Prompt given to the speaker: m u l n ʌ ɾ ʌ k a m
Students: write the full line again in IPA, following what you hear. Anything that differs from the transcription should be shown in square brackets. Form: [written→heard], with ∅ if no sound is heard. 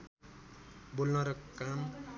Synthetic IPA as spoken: [m→b] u l n ʌ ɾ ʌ k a m

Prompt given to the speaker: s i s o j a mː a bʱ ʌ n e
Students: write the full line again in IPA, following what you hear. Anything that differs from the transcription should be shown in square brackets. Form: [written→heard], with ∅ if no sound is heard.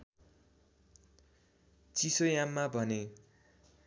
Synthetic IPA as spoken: [s→t͡s] i s o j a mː a bʱ ʌ n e

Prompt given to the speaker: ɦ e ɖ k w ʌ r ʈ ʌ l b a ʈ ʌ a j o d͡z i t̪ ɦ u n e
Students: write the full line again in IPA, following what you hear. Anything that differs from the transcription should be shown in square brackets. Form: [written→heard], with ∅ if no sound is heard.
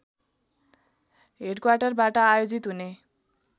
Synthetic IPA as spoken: ɦ e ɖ k w [ʌ→a] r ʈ ʌ [l→r] b a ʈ ʌ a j o d͡z i t̪ ɦ u n e

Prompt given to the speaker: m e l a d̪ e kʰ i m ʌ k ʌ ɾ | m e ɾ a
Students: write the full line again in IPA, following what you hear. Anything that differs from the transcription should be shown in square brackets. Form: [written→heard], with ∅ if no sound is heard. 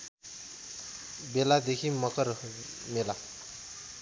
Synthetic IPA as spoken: [m→b] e l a d̪ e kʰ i m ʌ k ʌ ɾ | m e [ɾ→l] a

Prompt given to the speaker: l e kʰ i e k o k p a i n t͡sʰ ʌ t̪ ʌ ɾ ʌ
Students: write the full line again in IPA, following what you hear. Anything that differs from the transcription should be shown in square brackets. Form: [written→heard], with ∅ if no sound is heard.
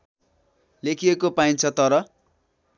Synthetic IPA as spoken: l e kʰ i e k o [k→∅] p a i n t͡sʰ ʌ t̪ ʌ ɾ ʌ

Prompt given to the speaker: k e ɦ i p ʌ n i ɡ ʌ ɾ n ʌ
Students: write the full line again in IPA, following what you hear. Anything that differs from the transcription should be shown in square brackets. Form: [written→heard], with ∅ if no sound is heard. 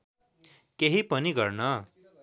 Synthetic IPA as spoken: k e ɦ i p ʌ n i ɡ ʌ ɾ n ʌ

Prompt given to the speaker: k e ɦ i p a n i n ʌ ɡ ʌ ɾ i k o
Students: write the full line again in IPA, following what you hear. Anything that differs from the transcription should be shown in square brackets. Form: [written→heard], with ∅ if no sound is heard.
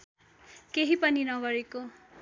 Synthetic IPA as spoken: k e ɦ i p [a→ʌ] n i n ʌ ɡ ʌ ɾ [i→e] k o

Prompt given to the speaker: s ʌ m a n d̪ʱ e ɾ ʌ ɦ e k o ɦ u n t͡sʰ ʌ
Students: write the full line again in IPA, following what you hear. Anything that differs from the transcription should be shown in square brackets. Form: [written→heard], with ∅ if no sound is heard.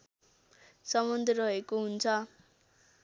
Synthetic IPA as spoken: s ʌ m [a→ʌ] n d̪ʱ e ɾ ʌ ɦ e k o ɦ u n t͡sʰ ʌ

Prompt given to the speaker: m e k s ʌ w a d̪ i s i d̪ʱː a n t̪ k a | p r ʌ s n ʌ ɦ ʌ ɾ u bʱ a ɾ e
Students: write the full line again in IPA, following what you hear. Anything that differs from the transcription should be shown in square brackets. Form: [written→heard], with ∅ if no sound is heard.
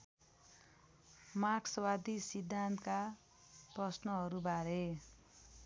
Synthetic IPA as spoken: m [e→a] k s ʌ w a d̪ i s i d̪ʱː a n t̪ k a | p r ʌ s n ʌ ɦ ʌ ɾ u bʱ a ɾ e

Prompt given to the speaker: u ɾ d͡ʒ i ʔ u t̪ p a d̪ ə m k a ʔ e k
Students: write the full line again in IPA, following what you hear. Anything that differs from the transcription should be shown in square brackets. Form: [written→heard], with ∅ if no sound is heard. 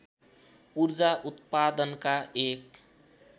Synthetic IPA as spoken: u ɾ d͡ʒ [i→a] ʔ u t̪ p a d̪ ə [m→n] k a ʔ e k

